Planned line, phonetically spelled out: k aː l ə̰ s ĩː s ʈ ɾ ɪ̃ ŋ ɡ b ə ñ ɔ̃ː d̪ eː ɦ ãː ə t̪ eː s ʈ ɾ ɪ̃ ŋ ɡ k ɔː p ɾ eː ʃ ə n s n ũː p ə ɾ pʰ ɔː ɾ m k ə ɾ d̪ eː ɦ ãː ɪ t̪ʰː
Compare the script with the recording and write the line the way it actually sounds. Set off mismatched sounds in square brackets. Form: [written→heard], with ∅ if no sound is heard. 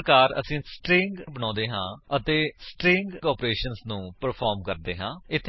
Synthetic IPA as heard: k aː [l→ɾ] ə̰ s ĩː s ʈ ɾ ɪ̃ ŋ ɡ b ə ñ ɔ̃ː d̪ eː ɦ ãː ə t̪ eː s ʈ ɾ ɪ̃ ŋ ɡ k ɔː p ɾ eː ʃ ə n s n ũː p ə ɾ pʰ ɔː ɾ m k ə ɾ d̪ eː ɦ ãː ɪ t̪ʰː